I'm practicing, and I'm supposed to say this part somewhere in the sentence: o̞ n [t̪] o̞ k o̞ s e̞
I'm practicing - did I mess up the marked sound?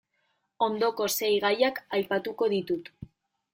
yes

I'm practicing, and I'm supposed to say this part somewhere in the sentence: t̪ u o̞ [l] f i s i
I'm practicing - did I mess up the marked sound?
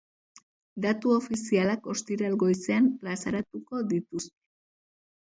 yes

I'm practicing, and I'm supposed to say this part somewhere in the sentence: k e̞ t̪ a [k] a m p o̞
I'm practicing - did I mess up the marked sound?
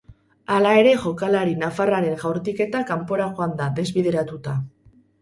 no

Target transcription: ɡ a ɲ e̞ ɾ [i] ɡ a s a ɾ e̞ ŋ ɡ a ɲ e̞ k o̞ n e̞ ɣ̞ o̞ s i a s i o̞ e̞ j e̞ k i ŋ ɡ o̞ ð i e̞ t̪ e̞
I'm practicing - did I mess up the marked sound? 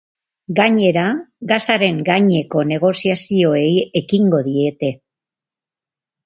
yes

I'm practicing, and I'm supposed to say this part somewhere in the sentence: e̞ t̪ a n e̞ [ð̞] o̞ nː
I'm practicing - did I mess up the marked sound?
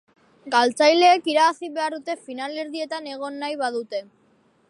yes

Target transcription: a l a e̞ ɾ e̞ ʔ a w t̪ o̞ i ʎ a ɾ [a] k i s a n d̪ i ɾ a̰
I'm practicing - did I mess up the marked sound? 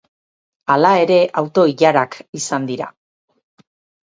no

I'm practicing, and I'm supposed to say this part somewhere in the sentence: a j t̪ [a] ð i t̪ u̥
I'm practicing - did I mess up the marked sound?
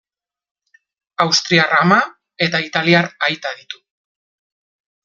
no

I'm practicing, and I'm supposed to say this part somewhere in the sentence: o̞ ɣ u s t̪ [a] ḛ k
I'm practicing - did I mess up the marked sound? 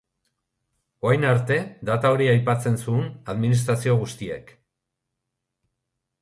yes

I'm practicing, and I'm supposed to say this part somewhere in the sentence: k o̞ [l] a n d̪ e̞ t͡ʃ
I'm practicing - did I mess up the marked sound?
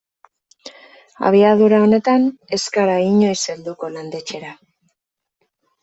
no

